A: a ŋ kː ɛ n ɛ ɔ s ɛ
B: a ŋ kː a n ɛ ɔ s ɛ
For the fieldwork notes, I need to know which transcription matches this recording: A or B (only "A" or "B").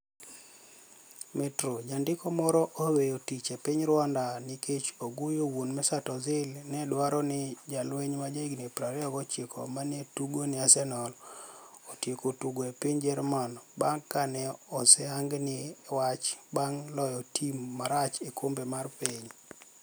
B